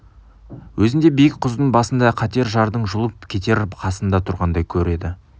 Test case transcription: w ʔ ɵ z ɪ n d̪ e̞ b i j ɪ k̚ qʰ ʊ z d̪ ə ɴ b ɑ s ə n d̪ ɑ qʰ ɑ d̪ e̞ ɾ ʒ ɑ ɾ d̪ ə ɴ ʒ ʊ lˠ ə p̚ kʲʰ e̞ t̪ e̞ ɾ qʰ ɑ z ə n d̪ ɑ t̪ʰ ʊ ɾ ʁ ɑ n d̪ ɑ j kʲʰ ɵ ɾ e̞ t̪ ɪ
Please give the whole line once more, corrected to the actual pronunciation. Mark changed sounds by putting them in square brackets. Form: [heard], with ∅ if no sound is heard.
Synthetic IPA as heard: w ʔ ɵ z ɪ n d̪ e̞ b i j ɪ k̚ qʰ ʊ z d̪ ə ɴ b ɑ s ə n d̪ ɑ qʰ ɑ [t̪] e̞ ɾ ʒ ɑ ɾ d̪ ə ɴ ʒ ʊ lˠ ə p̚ kʲʰ e̞ t̪ e̞ ɾ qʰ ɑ [s] ə n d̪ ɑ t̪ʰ ʊ ɾ ʁ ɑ n d̪ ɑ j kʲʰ ɵ ɾ e̞ [d̪] ɪ